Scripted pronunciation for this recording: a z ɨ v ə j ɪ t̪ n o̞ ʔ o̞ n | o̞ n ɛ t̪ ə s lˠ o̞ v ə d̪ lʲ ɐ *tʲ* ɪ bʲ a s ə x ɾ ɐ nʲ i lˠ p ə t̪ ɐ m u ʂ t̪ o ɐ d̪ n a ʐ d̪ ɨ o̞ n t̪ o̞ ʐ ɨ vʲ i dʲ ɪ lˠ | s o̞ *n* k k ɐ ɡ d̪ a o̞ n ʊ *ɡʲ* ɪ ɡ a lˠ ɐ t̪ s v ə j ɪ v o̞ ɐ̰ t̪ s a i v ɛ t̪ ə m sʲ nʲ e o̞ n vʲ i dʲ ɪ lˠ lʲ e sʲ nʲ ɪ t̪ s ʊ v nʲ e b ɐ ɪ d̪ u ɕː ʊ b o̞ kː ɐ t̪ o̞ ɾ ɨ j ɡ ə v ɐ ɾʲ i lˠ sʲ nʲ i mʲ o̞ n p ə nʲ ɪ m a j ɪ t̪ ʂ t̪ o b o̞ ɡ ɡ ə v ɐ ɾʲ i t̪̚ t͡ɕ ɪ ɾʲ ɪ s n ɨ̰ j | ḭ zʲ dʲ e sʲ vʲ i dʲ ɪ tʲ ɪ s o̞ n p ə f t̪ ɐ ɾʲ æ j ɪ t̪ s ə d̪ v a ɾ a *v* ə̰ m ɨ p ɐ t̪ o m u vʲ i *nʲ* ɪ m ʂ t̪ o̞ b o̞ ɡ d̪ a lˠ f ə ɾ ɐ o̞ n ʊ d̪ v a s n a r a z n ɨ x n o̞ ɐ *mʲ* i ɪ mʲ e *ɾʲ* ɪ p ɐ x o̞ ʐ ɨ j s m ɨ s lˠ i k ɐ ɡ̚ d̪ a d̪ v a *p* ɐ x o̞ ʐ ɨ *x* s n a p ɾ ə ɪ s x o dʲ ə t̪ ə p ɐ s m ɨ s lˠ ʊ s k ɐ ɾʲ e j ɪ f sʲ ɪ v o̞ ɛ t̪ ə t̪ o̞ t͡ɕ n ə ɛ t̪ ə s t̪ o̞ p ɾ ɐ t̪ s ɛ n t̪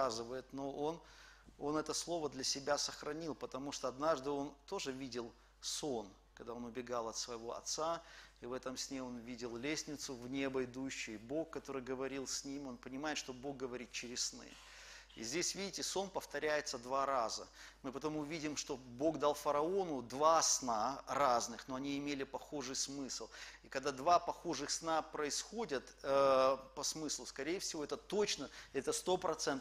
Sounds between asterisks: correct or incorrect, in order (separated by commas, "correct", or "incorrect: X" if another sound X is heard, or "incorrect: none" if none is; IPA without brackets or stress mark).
incorrect: sʲ, correct, incorrect: bʲ, incorrect: z, incorrect: dʲ, incorrect: nʲ, incorrect: lʲ, correct, correct